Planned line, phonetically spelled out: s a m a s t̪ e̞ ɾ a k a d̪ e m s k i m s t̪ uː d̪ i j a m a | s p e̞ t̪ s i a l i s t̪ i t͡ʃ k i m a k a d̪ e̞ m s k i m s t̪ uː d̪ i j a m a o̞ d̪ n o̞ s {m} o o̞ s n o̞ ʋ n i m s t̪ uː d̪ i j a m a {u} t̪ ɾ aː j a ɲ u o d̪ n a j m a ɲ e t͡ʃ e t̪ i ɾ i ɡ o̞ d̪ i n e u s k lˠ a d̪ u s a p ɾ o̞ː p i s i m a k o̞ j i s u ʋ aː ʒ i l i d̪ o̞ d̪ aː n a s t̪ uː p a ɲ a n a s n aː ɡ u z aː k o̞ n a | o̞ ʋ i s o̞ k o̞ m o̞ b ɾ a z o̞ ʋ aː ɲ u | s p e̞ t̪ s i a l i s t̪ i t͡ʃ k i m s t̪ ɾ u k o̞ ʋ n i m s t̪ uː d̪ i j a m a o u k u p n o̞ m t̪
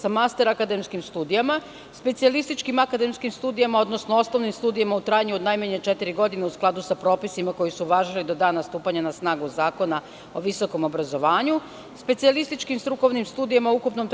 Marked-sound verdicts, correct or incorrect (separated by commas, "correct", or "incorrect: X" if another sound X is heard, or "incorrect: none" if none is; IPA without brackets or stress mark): incorrect: n, correct